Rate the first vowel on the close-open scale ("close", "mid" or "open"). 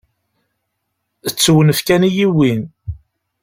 mid